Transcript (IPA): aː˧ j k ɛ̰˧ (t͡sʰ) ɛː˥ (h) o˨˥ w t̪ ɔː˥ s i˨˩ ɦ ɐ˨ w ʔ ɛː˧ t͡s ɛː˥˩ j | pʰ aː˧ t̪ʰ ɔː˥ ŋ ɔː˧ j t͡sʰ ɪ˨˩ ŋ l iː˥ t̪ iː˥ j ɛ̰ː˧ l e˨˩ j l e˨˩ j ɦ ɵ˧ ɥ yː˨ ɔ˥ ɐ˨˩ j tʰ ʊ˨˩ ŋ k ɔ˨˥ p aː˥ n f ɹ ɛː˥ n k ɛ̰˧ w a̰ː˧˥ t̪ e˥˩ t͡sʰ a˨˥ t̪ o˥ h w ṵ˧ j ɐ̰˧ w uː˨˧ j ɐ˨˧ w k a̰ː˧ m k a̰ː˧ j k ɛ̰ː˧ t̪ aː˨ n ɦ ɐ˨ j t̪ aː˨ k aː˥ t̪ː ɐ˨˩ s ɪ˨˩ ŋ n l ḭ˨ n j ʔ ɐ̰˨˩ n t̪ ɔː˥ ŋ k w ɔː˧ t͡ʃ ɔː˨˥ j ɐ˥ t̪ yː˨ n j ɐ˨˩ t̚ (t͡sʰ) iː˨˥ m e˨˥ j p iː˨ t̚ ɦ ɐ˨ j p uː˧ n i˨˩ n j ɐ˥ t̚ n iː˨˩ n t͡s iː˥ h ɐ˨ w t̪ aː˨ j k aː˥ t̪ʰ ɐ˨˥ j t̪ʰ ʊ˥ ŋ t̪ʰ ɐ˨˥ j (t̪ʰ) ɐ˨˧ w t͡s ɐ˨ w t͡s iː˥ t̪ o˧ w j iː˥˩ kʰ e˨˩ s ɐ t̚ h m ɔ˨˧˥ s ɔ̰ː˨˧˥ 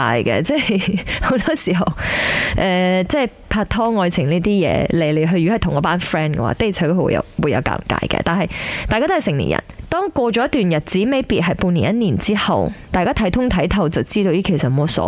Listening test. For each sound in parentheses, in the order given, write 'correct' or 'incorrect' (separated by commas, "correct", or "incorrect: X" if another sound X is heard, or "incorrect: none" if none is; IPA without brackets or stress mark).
incorrect: t͡s, correct, incorrect: t͡s, correct